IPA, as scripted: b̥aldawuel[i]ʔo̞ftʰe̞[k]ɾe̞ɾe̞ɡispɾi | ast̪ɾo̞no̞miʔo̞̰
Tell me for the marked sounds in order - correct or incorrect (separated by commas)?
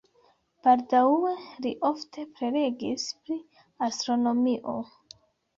correct, incorrect